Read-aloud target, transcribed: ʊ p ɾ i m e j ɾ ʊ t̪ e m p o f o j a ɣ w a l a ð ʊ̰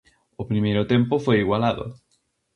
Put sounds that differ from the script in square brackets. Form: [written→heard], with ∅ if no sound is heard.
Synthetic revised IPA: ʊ p ɾ i m e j ɾ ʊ t̪ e m p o f o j [a→i] ɣ w a l a ð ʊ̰